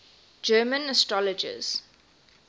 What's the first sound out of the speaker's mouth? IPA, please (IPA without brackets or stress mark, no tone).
d͡ʒ